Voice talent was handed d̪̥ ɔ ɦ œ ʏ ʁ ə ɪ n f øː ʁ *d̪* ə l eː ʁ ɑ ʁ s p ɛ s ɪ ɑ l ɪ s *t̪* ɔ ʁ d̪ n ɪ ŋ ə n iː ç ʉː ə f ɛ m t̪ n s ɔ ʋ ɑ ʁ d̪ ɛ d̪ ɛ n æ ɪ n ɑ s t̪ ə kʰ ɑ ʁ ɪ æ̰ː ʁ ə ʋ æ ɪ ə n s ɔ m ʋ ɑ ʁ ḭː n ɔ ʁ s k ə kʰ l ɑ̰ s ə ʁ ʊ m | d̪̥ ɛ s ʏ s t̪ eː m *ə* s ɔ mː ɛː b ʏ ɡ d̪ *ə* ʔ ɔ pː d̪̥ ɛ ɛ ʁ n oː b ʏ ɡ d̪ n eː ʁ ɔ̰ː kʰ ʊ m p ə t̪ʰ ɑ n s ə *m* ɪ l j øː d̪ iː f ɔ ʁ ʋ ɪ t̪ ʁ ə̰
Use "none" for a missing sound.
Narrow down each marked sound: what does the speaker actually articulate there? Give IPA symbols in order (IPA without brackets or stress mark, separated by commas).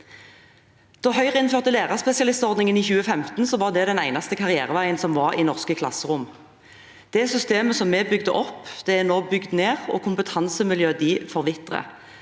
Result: t̪, t̪, ə, ə, m